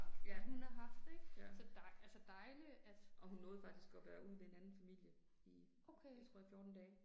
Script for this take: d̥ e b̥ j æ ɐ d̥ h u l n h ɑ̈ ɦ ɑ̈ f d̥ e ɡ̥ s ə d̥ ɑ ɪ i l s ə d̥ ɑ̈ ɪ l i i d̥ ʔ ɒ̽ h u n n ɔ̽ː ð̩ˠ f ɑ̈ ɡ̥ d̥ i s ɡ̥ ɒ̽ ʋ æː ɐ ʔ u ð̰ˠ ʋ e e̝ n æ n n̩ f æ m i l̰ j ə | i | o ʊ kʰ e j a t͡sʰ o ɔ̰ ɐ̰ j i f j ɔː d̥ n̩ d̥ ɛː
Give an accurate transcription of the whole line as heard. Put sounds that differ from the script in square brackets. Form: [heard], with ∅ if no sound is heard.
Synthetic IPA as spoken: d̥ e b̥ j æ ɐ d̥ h u [∅] n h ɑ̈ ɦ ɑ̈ f d̥ e ɡ̥ s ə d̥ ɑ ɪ [æ] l s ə d̥ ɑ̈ ɪ l i [æ] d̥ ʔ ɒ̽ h u n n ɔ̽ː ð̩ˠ f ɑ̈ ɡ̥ d̥ i s ɡ̥ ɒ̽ ʋ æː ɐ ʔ u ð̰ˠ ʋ e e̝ n æ n n̩ f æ m i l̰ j ə | i | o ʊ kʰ e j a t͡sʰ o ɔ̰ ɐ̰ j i f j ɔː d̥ n̩ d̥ ɛː